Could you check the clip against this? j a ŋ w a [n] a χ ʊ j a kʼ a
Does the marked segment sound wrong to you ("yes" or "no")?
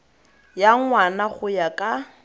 no